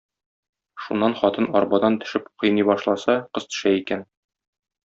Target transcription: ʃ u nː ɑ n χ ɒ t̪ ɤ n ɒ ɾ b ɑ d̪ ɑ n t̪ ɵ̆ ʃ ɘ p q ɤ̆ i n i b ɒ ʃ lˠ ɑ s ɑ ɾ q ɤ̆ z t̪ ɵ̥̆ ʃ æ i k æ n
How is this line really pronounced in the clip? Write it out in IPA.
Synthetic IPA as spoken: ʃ u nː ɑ n χ ɒ t̪ ɤ n ɒ ɾ b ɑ d̪ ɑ n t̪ ɵ̆ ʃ ɘ p q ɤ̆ j n i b ɒ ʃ lˠ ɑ s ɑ q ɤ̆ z t̪ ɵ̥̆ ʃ æ i k æ n